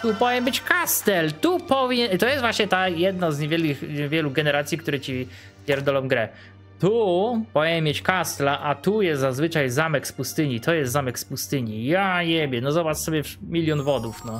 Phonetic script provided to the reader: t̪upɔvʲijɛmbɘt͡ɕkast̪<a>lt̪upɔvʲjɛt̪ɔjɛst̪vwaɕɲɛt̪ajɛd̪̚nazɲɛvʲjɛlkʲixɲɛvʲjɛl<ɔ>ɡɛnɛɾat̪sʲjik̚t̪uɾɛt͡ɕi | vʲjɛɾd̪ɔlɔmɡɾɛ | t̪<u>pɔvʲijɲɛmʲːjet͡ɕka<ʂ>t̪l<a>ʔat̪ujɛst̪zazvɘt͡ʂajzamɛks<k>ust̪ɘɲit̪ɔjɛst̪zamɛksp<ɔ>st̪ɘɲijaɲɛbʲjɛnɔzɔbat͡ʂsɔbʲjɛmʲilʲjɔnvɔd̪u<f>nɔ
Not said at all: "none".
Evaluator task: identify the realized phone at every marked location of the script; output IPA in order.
ɛ, u, u, s, a, p, u, f

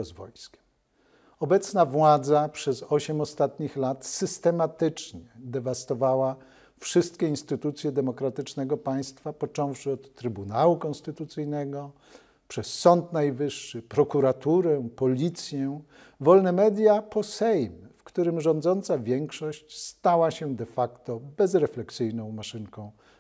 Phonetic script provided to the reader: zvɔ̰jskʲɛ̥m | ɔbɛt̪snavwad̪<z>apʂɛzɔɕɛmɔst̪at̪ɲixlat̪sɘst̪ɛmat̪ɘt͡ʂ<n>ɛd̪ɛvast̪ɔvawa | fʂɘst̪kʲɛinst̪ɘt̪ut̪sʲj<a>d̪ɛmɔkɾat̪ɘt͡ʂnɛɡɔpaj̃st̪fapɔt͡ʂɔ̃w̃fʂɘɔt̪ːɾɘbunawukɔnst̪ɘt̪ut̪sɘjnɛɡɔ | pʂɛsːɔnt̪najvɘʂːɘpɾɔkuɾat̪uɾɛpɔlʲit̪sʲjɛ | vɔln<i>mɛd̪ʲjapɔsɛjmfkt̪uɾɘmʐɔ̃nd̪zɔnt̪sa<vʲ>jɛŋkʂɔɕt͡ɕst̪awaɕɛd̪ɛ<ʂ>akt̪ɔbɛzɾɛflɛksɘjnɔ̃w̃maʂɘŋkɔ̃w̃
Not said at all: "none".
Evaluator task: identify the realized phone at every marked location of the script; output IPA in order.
z, ɲ, ɛ, ɛ, vʲ, f

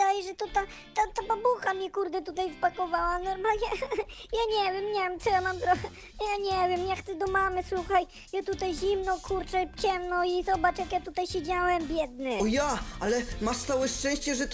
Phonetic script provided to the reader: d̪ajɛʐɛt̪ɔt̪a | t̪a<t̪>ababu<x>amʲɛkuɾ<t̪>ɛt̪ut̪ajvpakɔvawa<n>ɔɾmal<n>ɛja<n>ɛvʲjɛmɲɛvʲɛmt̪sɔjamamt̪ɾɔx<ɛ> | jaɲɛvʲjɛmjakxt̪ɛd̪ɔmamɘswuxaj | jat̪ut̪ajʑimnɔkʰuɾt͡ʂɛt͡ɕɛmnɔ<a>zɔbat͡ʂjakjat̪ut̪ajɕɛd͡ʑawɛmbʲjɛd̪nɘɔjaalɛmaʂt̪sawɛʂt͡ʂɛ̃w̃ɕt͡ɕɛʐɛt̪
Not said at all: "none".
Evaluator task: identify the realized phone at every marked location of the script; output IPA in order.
t̪, x, d̪, n, ɲ, ɲ, ɛ, i

